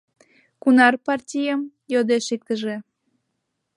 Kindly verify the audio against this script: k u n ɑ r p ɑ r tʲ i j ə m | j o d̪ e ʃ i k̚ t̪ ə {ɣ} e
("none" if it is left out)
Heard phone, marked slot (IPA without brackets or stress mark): ʒ